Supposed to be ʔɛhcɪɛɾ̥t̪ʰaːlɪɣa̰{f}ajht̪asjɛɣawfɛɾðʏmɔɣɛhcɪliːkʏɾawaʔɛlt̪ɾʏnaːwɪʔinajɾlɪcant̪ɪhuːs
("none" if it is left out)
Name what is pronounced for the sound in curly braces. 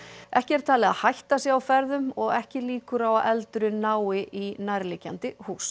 h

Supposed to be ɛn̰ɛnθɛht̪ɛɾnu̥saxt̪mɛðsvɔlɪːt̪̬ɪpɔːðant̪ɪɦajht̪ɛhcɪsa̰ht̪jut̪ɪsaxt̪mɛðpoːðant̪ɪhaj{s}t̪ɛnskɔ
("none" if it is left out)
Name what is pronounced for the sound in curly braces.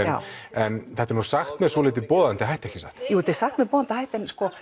h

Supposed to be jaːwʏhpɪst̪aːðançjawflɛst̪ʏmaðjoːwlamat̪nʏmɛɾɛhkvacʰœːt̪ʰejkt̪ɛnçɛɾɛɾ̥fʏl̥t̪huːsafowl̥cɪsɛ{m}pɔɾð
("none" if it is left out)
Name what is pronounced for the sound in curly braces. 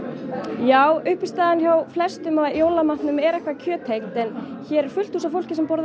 m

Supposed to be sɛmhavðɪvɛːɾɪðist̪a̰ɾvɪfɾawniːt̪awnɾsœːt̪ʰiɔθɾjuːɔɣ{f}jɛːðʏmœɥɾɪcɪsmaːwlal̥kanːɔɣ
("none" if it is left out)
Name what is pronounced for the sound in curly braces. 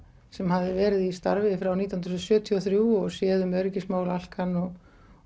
s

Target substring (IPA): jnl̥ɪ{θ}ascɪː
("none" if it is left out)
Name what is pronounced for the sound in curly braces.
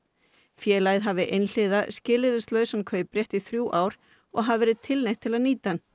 ð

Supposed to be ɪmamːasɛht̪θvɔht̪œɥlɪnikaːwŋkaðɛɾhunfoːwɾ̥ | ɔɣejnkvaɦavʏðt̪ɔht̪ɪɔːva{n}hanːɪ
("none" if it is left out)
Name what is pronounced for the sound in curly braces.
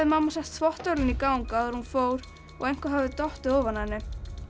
n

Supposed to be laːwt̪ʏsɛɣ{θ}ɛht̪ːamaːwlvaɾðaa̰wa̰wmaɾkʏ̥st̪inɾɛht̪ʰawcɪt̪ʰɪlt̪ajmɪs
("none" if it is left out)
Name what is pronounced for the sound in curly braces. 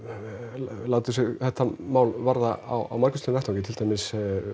θ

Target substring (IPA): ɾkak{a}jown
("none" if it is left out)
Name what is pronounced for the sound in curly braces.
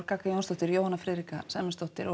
a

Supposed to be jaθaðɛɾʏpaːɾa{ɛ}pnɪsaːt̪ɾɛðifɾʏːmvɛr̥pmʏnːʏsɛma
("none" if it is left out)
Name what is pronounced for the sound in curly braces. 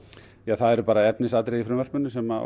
ɛ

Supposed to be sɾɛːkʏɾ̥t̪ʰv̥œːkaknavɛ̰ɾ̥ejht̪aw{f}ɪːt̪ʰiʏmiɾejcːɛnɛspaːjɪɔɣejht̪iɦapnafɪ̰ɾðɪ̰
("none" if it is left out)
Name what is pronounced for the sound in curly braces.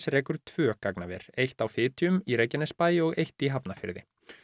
f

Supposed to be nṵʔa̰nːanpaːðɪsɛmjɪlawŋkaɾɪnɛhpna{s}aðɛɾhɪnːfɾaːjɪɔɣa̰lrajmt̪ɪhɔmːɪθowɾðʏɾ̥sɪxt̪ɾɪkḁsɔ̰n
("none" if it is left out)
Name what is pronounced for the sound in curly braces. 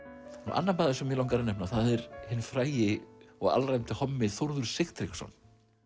θ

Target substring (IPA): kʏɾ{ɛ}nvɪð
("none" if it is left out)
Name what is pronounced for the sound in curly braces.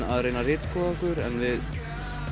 ɛ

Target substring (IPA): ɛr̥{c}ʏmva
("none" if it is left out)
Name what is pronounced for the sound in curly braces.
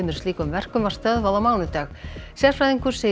k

